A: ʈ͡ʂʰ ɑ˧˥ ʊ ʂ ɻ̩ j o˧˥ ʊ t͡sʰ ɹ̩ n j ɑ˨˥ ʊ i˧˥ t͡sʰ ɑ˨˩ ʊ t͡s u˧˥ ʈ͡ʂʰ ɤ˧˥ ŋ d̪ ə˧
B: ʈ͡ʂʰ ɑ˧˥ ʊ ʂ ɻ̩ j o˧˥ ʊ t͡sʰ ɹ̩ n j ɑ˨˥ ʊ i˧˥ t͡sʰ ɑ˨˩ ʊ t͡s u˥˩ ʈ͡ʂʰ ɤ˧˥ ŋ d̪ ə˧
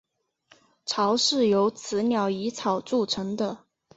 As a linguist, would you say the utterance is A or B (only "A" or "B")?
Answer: B